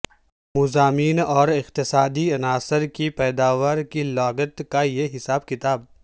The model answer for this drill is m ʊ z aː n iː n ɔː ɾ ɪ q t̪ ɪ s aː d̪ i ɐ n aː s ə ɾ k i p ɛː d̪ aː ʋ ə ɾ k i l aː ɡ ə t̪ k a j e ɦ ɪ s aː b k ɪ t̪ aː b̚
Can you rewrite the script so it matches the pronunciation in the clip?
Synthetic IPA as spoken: m ʊ z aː m iː n ɔː ɾ ɪ q t̪ ɪ s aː d̪ i ɐ n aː s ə ɾ k i p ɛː d̪ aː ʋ ə ɾ k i l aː ɡ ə t̪ k a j e ɦ ɪ s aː b k ɪ t̪ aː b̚